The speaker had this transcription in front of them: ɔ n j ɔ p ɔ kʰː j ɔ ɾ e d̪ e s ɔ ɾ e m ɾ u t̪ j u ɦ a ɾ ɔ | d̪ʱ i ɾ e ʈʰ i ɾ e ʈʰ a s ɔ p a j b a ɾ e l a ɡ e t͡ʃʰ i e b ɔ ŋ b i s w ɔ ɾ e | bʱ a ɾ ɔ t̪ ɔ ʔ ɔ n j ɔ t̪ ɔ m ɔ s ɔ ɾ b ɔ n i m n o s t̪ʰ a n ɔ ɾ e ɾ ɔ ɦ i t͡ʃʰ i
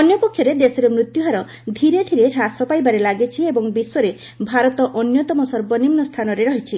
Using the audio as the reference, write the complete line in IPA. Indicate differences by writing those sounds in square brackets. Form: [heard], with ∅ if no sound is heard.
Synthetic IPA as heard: ɔ n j ɔ p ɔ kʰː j ɔ ɾ e d̪ e s ɔ ɾ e m ɾ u t̪ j u ɦ a ɾ ɔ | d̪ʱ i ɾ e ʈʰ i ɾ e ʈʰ a s ɔ p a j b a ɾ e l a ɡ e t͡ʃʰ i e b ɔ ŋ b i s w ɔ ɾ e | bʱ a ɾ ɔ t̪ ɔ ʔ ɔ n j ɔ t̪ ɔ m ɔ s ɔ ɾ b ɔ n i m n [ɔ] s t̪ʰ a n ɔ ɾ e ɾ ɔ ɦ i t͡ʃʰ i